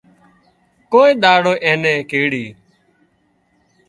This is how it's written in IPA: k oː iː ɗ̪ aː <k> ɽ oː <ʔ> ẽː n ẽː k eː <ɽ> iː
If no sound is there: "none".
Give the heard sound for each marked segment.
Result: none, ʔ, ɽ

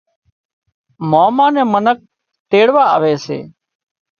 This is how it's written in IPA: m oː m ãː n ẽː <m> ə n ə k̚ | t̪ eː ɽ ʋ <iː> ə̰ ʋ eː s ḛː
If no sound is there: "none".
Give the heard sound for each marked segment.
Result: m, aː

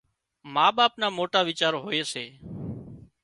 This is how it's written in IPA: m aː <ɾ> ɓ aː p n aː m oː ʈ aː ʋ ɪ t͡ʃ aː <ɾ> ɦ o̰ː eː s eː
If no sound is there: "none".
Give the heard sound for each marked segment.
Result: none, ɾ

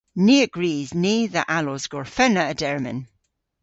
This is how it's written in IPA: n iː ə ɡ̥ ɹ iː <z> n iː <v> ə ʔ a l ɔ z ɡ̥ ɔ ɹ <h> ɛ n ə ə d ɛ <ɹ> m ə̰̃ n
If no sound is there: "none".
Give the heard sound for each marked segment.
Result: z, ð, f, ɹ

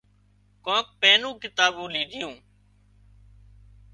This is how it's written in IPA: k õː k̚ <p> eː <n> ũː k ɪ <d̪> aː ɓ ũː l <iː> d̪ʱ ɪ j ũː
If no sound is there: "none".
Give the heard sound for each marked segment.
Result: p, n, t̪, iː

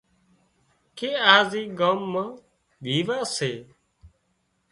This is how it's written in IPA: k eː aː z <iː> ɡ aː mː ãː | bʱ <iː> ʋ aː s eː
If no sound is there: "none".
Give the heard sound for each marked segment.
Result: iː, iː

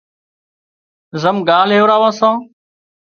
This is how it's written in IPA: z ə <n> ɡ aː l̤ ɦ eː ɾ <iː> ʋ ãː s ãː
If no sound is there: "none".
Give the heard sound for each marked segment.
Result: m, aː

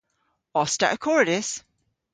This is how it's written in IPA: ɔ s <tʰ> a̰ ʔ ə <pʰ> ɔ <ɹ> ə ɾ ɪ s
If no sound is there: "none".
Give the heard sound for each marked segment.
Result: t, kʰ, ɹ

